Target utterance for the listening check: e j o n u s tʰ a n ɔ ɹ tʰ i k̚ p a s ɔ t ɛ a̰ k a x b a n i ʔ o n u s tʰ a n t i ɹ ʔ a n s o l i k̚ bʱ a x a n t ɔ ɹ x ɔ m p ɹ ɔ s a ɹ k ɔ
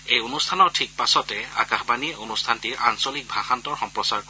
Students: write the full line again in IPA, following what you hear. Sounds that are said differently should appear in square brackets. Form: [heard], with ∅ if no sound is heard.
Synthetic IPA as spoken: e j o n u s tʰ a n ɔ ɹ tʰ i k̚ p a s ɔ t ɛ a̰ k a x b a n i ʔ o n u s tʰ a n t i ɹ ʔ a n s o l i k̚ bʱ a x a n t ɔ ɹ x ɔ m p ɹ ɔ s a ɹ k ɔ